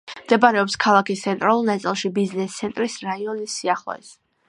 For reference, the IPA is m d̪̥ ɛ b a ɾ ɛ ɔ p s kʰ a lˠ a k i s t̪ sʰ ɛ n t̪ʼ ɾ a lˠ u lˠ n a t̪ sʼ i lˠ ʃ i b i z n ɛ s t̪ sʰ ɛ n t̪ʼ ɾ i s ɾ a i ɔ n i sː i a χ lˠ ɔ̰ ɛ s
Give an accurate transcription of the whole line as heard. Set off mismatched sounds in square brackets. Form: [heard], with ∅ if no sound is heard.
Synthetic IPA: m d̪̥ ɛ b a ɾ ɛ ɔ p s kʰ a lˠ a k i s t̪ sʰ ɛ n t̪ʼ ɾ a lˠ u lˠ n a t̪ sʼ i lˠ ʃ i b i z n ɛ s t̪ sʰ ɛ n t̪ʼ ɾ i s ɾ a i ɔ n i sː i a χ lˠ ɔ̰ ɛ s